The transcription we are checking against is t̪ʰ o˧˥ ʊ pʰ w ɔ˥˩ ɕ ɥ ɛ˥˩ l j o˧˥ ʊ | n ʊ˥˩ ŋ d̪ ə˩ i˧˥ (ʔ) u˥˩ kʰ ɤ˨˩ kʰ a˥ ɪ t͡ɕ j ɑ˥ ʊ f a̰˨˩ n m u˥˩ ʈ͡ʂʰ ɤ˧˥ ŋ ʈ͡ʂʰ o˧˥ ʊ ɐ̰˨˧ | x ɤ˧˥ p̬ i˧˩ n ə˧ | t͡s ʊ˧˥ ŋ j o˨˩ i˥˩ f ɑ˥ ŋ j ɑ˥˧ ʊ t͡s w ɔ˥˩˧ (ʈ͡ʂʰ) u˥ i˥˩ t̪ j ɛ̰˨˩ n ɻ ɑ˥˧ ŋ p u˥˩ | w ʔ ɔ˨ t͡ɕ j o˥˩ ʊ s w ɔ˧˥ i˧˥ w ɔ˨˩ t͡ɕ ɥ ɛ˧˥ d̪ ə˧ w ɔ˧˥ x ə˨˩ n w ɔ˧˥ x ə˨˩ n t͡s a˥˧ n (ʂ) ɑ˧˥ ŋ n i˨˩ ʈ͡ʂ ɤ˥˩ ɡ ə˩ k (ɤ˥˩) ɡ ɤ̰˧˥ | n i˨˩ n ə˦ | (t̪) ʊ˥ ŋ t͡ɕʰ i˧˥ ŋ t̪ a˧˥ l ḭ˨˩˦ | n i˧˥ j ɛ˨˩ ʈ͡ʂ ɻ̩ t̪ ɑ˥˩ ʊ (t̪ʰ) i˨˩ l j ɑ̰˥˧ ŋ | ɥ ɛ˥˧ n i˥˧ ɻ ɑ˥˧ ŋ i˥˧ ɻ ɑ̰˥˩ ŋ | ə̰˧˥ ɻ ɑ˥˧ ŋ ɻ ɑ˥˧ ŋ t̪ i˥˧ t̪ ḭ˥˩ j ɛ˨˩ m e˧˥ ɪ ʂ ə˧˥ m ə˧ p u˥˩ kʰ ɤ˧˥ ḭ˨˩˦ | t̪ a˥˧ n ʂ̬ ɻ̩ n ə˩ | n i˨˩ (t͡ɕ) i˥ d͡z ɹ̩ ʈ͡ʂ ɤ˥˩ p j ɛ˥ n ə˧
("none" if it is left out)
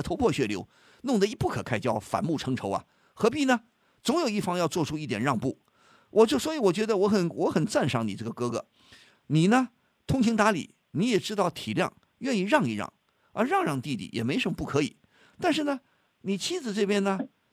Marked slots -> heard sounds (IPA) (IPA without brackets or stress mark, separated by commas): p, ʈ͡ʂʰ, ʂ, ɤ˧˥, t̪ʰ, t̪ʰ, t͡ɕʰ